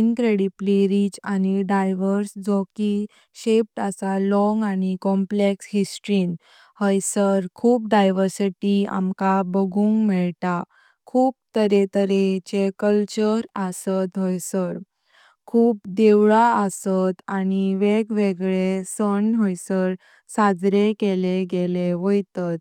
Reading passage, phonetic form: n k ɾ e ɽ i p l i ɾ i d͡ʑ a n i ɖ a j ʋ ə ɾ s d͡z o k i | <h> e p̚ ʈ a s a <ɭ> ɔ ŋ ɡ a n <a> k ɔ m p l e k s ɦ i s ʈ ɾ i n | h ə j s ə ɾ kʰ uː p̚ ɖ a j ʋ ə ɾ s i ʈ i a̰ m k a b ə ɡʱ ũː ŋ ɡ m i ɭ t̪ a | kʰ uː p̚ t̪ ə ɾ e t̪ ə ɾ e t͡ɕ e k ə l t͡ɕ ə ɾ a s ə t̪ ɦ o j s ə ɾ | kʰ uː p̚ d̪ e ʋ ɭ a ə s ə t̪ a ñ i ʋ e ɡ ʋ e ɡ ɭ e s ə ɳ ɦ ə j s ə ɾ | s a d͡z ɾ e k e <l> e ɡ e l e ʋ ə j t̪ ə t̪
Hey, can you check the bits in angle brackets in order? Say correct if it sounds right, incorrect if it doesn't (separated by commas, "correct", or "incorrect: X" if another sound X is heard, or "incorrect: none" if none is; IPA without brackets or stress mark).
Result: incorrect: ɕ, incorrect: l, incorrect: i, correct